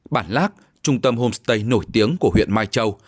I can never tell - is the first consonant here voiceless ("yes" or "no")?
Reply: no